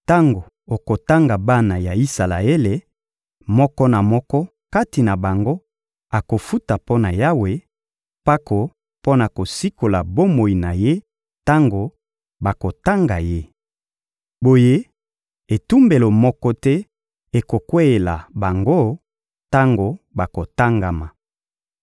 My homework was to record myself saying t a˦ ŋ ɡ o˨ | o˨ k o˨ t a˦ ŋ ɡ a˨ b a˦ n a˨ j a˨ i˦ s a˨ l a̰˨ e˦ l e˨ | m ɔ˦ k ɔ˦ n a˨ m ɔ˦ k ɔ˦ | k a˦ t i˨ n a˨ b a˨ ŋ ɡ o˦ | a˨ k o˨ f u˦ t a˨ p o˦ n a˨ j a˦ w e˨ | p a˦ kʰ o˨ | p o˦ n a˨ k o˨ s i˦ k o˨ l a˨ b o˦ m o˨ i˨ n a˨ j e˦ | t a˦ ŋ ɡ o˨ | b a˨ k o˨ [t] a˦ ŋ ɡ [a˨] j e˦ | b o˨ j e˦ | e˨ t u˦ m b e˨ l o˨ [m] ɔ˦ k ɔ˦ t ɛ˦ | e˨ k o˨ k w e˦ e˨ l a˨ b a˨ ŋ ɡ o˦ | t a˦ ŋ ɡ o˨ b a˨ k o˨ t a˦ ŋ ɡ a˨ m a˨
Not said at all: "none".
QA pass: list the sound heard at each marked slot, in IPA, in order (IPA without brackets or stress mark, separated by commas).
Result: t, a˨, m